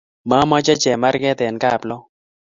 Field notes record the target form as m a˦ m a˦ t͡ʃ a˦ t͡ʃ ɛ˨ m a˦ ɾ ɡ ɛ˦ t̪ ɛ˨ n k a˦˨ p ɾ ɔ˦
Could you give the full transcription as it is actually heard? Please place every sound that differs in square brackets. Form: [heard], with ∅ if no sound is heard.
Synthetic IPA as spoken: m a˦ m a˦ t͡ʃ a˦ t͡ʃ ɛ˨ m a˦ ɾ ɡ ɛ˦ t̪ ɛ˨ n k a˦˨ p [l] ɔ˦